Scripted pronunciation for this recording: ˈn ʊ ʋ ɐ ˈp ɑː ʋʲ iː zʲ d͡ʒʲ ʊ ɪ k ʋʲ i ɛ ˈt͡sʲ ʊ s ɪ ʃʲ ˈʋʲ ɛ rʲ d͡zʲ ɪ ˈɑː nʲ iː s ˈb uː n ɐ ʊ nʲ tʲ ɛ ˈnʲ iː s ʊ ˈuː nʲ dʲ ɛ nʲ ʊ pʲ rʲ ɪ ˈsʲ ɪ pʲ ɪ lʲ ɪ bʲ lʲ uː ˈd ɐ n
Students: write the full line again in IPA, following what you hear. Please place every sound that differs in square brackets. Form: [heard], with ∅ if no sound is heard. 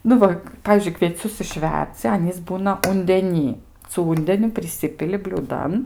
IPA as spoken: ˈn ʊ ʋ ɐ ˈp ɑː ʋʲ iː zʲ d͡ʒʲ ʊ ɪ k ʋʲ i ɛ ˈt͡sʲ ʊ s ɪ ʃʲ ˈʋʲ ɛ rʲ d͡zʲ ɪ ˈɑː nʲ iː s ˈb uː n ɐ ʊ nʲ [dʲ] ɛ ˈnʲ iː s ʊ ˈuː nʲ dʲ ɛ nʲ ʊ pʲ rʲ ɪ ˈsʲ ɪ pʲ ɪ lʲ ɪ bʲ lʲ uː ˈd ɐ n